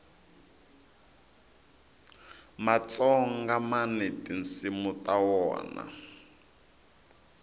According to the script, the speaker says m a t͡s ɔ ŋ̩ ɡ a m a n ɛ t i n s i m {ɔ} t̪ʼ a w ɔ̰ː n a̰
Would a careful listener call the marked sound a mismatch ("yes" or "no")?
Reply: yes